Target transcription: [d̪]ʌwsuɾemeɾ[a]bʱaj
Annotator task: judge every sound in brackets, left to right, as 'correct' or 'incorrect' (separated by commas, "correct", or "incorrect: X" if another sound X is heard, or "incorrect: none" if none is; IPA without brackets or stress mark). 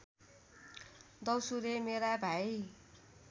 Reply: correct, correct